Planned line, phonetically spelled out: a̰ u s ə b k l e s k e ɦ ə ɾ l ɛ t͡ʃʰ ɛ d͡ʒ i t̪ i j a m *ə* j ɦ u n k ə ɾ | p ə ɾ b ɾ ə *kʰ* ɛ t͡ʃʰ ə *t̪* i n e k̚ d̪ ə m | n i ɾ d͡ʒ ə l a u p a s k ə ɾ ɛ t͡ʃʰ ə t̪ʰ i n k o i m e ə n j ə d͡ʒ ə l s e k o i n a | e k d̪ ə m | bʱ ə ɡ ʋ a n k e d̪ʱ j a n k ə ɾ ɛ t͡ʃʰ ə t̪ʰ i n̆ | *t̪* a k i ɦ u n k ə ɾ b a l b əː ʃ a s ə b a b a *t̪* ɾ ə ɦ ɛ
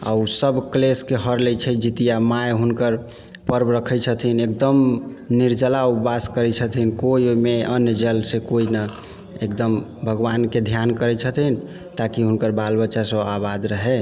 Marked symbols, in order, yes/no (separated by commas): no, yes, no, yes, no